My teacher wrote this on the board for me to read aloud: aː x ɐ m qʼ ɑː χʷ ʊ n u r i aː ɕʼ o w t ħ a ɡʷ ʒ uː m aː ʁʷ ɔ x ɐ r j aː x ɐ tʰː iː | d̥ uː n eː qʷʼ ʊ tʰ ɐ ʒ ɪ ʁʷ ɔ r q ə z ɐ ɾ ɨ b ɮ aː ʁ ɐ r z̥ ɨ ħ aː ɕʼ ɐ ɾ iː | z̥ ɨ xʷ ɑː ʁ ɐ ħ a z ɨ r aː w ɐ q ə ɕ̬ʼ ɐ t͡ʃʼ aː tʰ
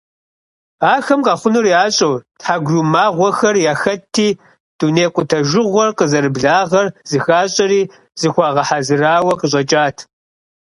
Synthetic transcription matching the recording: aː x ɐ m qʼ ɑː χʷ ʊ n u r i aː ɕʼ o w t ħ a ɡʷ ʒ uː m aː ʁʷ ɔ x ɐ r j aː x ɐ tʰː iː | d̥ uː n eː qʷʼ ʊ tʰ ɐ ʒ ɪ ʁʷ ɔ r q ə z ɐ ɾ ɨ b ɮ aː ʁ ɐ r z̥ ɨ x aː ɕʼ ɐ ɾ iː | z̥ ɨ xʷ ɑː ʁ ɐ ħ a z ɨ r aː w ɐ q ə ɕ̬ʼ ɐ t͡ʃʼ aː tʰ